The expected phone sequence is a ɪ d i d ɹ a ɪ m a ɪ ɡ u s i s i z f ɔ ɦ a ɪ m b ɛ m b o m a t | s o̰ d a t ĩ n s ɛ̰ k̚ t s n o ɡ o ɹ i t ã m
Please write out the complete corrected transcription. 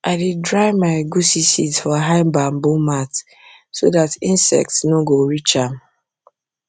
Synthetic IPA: a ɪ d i d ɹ a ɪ m a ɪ ɡ u s i s i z f ɔ ɦ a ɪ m b a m b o m a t | s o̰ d a t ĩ n s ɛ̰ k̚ t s n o ɡ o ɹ i t͡ʃ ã m